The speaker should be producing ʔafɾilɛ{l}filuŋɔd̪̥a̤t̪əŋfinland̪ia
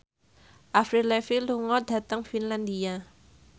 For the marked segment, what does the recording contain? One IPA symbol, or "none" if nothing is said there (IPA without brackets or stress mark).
none